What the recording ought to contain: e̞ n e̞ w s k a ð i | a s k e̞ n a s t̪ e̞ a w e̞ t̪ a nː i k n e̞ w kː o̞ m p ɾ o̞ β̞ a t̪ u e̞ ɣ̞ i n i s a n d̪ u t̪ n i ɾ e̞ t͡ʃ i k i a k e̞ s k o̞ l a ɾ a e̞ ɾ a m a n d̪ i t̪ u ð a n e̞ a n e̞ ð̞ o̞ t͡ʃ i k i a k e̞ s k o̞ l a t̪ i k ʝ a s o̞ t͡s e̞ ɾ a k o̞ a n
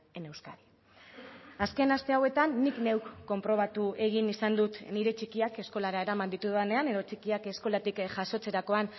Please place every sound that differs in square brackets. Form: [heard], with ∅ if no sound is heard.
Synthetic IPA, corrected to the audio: e̞ n e̞ w s k a ð i | a s k e̞ n a s t̪ e̞ a w e̞ t̪ a nː i k n e̞ w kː o̞ m p ɾ o̞ β̞ a t̪ u e̞ ɣ̞ i n i s a n d̪ u t̪ n i ɾ e̞ t͡ʃ i k i a k e̞ s k o̞ l a ɾ a e̞ ɾ a m a n d̪ i t̪ u ð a n e̞ a n e̞ ð̞ o̞ t͡ʃ i k i a k e̞ s k o̞ l a t̪ i k ʝ a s o̞ t͡s e̞ ɾ a k o̞ a n